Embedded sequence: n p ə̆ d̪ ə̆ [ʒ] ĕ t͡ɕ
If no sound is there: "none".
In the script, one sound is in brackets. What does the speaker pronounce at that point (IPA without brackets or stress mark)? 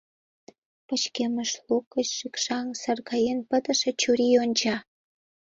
ʃ